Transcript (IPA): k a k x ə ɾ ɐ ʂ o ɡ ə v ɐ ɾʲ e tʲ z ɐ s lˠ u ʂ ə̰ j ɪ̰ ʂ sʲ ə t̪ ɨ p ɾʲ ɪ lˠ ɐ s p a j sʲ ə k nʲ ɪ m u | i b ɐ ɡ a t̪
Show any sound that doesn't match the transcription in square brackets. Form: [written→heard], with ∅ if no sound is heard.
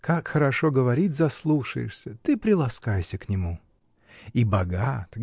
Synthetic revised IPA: k a k x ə ɾ ɐ ʂ o ɡ ə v ɐ ɾʲ [e→i] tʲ z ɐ s lˠ u ʂ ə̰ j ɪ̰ ʂ sʲ ə t̪ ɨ p ɾʲ ɪ lˠ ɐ s [p→k] a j sʲ ə k nʲ ɪ m u | i b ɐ ɡ a t̪